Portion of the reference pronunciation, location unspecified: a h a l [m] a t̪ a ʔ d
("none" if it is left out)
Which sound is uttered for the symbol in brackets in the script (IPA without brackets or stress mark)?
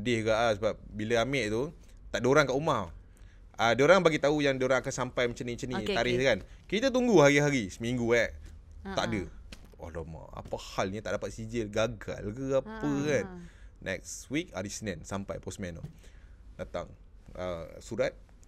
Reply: ɲ